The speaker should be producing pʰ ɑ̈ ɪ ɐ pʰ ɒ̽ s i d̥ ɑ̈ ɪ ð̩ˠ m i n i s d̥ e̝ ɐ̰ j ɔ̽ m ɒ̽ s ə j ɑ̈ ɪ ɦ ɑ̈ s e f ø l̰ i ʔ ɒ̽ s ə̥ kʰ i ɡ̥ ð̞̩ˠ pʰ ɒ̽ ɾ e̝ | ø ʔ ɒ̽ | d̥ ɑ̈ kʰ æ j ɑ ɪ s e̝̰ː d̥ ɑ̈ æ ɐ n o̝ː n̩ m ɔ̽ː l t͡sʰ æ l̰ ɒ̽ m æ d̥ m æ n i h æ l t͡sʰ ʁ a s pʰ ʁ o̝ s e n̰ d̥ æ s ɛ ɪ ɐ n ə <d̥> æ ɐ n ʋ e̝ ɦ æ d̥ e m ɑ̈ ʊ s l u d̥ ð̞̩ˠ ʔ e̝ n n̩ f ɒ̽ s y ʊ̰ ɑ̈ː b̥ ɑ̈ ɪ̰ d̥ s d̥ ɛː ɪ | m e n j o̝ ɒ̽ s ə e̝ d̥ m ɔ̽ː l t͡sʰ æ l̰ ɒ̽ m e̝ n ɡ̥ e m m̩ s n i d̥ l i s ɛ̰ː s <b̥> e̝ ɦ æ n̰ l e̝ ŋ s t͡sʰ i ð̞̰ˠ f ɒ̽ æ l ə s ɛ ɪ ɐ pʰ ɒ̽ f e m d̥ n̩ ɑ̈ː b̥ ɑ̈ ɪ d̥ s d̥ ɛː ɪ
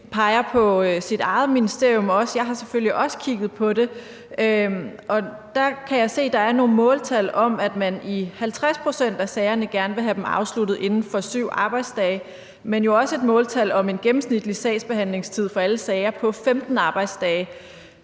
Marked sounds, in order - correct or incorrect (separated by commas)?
incorrect, correct